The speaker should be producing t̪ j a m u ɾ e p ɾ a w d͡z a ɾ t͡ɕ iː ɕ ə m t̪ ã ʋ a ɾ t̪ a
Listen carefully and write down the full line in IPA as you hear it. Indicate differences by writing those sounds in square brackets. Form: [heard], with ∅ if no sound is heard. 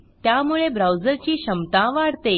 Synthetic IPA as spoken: t̪ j a m u [ɭ] e [b] ɾ a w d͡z [ə] ɾ t͡ɕ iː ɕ ə m t̪ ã ʋ a [ɽ] t̪ [e]